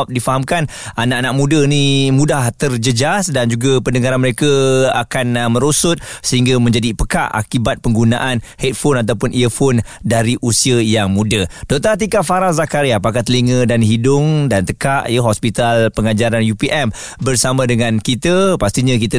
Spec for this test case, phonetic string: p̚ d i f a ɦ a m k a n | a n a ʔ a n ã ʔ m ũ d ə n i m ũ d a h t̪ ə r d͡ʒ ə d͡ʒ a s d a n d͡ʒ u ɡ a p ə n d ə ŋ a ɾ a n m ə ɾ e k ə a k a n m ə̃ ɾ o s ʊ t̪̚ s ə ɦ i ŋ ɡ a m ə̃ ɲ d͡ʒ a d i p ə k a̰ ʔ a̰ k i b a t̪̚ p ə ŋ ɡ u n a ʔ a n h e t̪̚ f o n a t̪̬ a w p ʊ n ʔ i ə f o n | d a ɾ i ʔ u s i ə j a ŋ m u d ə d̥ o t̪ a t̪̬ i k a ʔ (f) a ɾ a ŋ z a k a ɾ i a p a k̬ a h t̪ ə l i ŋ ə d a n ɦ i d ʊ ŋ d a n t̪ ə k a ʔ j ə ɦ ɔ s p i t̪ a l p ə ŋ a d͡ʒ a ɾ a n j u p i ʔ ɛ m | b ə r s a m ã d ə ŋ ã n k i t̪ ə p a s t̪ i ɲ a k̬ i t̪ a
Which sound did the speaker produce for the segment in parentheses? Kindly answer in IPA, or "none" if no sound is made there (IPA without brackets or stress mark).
f